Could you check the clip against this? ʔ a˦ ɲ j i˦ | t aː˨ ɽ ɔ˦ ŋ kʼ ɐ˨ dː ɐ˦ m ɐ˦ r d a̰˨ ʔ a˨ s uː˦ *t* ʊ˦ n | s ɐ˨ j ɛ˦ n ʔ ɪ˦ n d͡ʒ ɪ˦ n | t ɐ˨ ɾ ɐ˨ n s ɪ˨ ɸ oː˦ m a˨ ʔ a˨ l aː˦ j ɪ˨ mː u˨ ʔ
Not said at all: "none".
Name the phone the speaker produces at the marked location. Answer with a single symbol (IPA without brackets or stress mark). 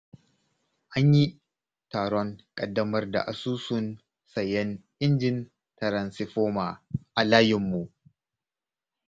s